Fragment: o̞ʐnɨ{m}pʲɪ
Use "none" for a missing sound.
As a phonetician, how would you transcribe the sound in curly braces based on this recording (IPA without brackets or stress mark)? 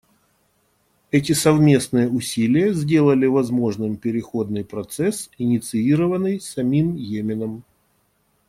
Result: m